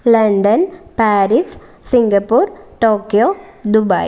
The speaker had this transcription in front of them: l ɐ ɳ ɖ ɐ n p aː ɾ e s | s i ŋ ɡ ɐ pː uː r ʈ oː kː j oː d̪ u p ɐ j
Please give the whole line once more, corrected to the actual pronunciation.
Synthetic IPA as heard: l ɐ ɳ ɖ ɐ n p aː ɾ i s | s i ŋ ɡ ɐ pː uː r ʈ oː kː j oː d̪ u b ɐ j